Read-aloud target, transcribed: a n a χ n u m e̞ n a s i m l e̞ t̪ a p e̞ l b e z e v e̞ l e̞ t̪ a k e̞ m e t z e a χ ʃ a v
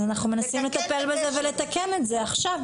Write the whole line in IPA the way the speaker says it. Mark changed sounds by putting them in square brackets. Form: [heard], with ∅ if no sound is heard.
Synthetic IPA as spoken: a n a χ n u m e̞ n a s i m l e̞ t̪ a p e̞ l b e z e v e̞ l e̞ t̪ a k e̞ m e t z e a χ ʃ a v